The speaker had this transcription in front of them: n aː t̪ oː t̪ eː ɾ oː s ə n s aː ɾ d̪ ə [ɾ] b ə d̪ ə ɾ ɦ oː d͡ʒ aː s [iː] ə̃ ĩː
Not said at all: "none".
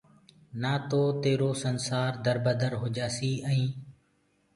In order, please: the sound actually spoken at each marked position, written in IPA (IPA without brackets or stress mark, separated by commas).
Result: ɾ, iː